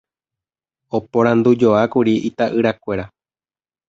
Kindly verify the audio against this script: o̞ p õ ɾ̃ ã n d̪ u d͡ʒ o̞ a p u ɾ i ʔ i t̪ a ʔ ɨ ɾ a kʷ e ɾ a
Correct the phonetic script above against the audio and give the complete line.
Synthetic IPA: o̞ p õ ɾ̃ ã n d̪ u d͡ʒ o̞ a k u ɾ i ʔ i t̪ a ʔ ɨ ɾ a kʷ e ɾ a